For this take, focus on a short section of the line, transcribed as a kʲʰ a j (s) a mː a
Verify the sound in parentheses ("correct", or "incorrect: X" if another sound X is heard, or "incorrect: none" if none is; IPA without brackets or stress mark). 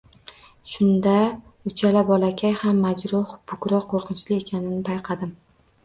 incorrect: h